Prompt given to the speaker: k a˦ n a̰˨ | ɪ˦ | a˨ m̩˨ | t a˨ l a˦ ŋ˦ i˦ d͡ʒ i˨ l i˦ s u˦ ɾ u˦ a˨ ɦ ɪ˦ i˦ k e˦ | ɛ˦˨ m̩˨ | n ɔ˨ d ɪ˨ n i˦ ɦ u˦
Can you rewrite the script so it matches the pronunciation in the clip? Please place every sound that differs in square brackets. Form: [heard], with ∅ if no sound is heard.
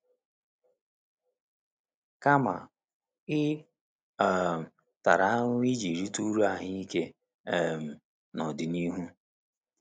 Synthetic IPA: k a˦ [m] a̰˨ | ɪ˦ | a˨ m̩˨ | t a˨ [ɾ] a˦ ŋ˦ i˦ d͡ʒ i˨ [ɾ] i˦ [t] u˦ ɾ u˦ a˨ ɦ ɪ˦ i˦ k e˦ | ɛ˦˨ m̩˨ | n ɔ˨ d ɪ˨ n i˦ ɦ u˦